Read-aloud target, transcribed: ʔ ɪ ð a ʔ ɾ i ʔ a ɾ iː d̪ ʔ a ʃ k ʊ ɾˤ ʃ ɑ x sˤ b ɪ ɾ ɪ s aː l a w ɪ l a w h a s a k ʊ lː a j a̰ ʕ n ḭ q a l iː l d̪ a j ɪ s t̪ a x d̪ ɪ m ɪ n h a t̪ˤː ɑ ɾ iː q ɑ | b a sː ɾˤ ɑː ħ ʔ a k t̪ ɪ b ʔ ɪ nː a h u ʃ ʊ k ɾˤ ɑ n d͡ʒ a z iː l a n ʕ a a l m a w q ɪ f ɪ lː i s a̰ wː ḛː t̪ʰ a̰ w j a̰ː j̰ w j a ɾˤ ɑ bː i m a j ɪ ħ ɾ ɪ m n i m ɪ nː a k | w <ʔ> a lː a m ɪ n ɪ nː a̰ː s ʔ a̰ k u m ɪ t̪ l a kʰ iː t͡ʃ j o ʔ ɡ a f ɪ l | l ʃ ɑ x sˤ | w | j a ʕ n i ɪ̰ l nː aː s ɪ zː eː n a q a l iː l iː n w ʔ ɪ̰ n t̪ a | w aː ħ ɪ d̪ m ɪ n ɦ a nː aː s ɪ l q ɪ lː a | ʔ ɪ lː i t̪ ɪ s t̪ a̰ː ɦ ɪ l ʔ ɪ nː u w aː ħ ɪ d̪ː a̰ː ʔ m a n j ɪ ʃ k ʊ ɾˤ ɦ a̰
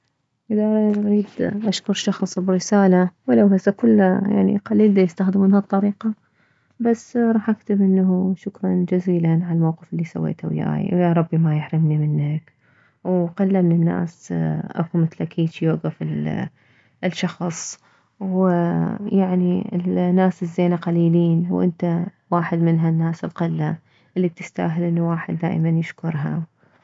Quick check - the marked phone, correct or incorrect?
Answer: incorrect